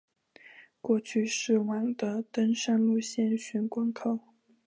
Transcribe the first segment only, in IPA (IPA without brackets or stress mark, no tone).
k